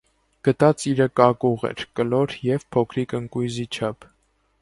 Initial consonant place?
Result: velar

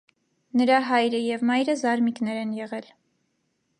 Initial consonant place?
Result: alveolar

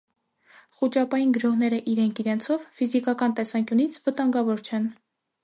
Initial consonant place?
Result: uvular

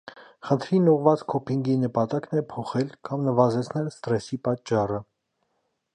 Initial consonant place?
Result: uvular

